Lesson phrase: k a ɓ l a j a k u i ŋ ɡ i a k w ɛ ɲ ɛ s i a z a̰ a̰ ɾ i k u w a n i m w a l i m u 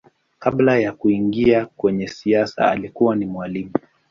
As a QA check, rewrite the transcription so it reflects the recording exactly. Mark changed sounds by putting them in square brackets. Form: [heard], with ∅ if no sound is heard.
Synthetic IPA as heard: k a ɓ l a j a k u i ŋ ɡ i a k w ɛ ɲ ɛ s i a [s] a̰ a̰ [l] i k u w a n i m w a l i m u